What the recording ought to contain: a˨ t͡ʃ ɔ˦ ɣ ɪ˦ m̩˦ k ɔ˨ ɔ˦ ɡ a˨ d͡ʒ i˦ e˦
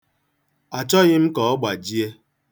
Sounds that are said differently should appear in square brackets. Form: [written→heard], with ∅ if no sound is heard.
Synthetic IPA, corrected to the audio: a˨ t͡ʃ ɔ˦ ɣ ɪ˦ m̩˦ k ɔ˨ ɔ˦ [ɡ→ɡ͡b] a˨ d͡ʒ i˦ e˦